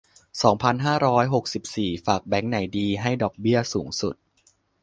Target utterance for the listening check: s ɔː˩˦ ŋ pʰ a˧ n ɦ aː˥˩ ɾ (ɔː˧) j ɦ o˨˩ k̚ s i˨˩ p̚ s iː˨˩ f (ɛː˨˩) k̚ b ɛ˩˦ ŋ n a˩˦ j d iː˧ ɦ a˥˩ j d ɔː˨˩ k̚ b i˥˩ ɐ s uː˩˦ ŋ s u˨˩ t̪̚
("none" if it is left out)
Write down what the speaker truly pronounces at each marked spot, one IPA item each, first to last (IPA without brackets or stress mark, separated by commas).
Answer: ɔː˦˥, aː˨˩